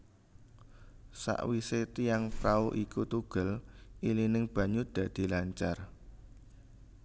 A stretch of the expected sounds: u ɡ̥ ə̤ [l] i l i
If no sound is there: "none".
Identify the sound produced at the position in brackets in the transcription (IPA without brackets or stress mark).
l